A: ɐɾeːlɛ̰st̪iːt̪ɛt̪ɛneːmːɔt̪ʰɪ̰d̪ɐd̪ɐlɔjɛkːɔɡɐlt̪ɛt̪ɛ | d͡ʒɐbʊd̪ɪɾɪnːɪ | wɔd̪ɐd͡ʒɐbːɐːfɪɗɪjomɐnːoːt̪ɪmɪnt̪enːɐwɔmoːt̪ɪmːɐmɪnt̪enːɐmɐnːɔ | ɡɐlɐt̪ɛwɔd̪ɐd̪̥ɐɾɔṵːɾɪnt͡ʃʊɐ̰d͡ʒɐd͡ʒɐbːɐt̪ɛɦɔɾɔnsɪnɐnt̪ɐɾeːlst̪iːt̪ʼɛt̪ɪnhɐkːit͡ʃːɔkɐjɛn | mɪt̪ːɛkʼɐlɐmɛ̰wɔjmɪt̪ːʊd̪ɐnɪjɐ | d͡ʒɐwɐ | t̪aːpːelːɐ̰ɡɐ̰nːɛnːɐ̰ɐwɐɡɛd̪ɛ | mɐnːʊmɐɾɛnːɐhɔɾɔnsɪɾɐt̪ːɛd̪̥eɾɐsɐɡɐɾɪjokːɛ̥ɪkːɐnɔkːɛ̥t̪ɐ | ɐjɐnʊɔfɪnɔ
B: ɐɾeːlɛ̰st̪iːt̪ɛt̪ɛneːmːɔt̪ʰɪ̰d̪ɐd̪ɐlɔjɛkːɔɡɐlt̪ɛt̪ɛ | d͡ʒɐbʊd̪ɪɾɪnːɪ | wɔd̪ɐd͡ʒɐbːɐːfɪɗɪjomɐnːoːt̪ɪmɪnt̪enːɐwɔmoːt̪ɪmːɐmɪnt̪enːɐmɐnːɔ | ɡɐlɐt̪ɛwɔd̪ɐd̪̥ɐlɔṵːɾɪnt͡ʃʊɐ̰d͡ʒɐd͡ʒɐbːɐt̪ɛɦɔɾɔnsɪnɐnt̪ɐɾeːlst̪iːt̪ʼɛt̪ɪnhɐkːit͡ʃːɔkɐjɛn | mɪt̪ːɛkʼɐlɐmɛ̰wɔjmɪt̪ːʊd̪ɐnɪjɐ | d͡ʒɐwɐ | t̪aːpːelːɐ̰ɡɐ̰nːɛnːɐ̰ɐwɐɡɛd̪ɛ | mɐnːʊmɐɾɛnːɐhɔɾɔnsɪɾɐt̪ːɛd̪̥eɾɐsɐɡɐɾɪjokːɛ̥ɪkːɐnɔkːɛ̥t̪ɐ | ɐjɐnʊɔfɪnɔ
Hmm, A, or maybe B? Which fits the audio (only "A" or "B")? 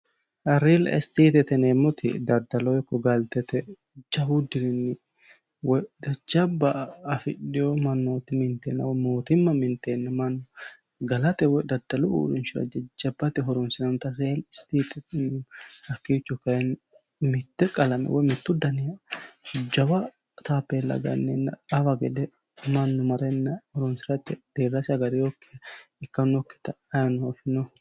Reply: B